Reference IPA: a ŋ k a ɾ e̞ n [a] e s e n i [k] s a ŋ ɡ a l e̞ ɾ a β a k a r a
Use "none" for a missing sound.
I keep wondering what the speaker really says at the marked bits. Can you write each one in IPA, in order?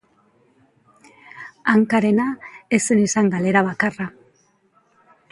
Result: a, none

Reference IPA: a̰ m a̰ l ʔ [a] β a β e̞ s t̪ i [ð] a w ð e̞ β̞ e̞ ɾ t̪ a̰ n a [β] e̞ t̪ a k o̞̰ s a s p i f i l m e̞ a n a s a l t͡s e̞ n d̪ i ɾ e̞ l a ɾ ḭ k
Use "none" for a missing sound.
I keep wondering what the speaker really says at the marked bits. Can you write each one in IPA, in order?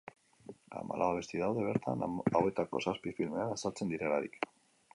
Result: a, ð, w

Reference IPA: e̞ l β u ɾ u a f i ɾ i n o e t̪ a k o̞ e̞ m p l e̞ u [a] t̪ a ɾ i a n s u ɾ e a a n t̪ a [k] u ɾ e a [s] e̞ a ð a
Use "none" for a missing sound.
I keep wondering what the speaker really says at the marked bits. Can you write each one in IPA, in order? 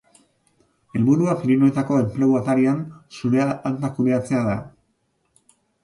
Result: a, k, t͡s

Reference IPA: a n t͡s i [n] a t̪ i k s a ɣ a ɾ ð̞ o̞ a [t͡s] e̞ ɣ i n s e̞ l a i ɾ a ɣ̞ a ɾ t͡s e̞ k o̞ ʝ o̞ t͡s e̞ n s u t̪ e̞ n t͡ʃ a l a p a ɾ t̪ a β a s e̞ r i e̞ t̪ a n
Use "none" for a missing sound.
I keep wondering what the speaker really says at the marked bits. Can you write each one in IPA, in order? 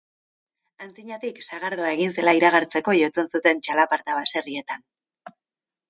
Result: ɲ, none

